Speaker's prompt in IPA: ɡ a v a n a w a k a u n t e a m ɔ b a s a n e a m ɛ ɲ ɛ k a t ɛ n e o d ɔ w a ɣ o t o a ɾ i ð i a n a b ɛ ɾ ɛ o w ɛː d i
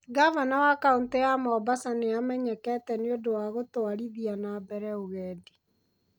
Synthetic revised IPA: ɡ a v a n a w a k a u n t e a m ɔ b a s a n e a m ɛ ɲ ɛ k ɛ t ɛ n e o d o w a ɣ o t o a ɾ i ð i a n a b ɛ ɾ ɛ o ɣ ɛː d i